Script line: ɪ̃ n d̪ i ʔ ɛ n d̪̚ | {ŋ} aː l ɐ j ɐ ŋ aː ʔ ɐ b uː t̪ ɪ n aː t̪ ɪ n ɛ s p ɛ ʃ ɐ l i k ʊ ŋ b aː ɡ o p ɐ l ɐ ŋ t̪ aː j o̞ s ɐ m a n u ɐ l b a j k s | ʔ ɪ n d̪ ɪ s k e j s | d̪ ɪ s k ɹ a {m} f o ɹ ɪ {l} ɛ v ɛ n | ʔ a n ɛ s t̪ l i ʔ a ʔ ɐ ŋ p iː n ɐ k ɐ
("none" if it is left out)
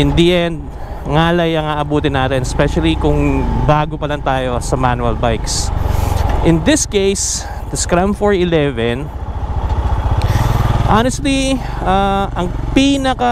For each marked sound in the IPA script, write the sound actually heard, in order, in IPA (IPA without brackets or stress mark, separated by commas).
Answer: ŋ, m, l